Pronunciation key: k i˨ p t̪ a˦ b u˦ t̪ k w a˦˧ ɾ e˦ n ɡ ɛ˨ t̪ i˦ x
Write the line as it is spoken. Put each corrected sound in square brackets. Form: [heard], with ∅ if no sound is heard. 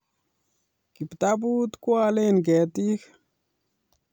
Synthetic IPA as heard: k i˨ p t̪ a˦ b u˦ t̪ k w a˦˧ [l] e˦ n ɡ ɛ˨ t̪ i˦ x